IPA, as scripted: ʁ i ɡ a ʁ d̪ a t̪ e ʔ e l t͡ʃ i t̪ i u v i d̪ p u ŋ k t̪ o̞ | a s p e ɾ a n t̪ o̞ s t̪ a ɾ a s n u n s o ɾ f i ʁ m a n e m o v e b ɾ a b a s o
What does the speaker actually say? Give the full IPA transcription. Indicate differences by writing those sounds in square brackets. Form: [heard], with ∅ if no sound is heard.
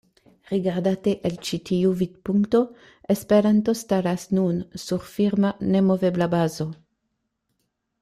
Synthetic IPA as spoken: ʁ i ɡ a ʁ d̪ a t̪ e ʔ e l t͡ʃ i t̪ i u v i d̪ p u ŋ k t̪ o̞ | [e] s p e ɾ a n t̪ o̞ s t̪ a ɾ a s n u n s [u] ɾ f i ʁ m a n e m o v e b [l] a b a [z] o